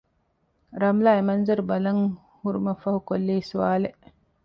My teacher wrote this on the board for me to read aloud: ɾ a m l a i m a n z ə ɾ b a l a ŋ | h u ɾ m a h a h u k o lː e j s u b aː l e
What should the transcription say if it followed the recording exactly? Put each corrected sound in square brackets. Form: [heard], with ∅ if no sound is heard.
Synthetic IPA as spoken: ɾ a m l a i m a n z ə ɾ b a l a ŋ | h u ɾ m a [f] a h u k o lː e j s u [w] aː l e